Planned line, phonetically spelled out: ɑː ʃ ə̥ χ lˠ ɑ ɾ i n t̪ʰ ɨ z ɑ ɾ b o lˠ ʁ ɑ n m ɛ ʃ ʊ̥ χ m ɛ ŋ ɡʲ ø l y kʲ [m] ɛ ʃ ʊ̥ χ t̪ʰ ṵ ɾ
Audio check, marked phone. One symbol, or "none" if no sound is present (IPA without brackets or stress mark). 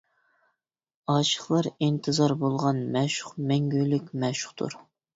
m